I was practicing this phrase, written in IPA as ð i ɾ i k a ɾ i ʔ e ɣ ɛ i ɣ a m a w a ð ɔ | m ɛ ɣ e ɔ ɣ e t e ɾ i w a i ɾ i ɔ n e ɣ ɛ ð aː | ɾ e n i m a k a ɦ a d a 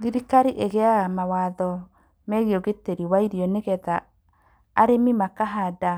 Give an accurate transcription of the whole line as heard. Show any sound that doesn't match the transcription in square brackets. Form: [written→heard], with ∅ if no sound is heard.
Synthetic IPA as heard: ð i ɾ i k a ɾ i ʔ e ɣ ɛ [i→a] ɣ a m a w a ð ɔ | m ɛ ɣ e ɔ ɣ e t e ɾ i w a i ɾ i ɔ n e ɣ ɛ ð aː | ɾ e [n→m] i m a k a ɦ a d a